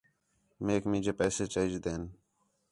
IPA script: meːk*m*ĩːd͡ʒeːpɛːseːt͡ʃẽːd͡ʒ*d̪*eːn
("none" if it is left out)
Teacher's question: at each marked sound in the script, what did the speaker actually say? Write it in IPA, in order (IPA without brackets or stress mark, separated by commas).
m, d̪